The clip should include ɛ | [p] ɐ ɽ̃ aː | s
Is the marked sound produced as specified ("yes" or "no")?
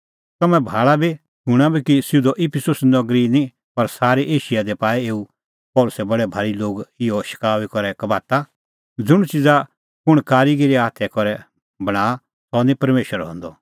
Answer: no